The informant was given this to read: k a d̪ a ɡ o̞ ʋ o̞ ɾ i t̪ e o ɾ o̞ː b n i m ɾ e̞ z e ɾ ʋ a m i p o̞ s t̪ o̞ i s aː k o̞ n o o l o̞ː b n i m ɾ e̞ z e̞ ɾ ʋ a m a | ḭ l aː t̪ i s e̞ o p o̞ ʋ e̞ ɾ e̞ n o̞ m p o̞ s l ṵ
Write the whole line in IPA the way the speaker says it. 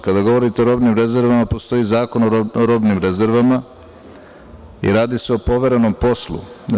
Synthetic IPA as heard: k a d̪ a ɡ o̞ ʋ o̞ ɾ i t̪ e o ɾ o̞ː b n i m ɾ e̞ z e ɾ ʋ a m a p o̞ s t̪ o̞ i z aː k o̞ n o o ɾ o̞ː b n i m ɾ e̞ z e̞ ɾ ʋ a m a | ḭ ɾ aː d̪ i s e̞ o p o̞ ʋ e̞ ɾ e̞ n o̞ m p o̞ s l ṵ